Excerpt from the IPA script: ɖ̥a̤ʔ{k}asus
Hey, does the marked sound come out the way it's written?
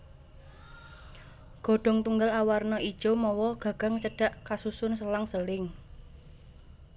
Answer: yes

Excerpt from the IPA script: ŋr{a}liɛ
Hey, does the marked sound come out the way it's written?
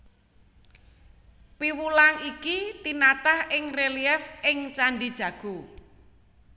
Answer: no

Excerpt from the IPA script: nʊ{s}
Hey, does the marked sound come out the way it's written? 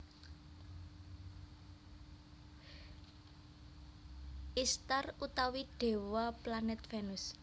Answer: yes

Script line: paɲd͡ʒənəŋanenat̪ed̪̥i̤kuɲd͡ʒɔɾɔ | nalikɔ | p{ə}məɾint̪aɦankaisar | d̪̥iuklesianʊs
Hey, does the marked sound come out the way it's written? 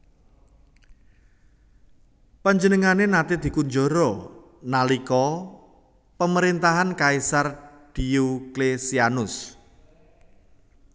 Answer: yes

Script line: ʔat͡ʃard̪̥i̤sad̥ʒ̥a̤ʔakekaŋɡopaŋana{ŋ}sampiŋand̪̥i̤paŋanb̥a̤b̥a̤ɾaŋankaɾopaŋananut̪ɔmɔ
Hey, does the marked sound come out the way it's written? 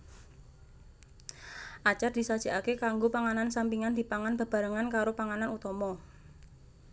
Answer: no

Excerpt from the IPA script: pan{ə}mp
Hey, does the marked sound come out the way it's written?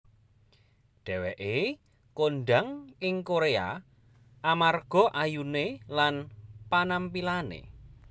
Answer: no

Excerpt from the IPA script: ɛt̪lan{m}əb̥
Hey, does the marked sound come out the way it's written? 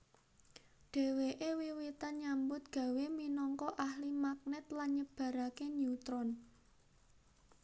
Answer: no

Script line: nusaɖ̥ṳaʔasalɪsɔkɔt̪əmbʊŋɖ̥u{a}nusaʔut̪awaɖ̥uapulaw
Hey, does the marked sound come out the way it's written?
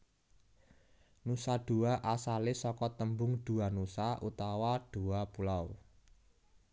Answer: yes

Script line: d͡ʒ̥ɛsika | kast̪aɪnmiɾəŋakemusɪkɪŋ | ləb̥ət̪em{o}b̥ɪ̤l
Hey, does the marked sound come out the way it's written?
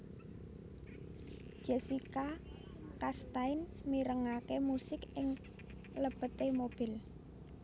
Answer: yes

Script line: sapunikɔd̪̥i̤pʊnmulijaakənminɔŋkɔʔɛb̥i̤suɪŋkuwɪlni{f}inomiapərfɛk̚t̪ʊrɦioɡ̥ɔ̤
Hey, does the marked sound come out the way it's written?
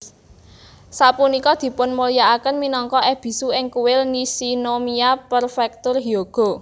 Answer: no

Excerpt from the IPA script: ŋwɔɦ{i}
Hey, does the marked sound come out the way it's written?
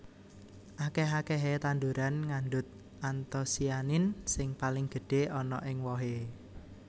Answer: no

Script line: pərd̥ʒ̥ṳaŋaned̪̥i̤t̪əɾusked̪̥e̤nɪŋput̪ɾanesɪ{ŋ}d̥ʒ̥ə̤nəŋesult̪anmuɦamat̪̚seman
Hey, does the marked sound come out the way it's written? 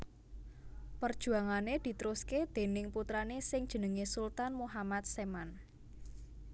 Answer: yes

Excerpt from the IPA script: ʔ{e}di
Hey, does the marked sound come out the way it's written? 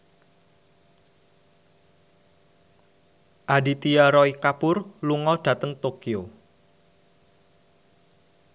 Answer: no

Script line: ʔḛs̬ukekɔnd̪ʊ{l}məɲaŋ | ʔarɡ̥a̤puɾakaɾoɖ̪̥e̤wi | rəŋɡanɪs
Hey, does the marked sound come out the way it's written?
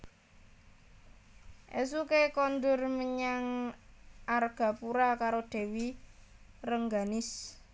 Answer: no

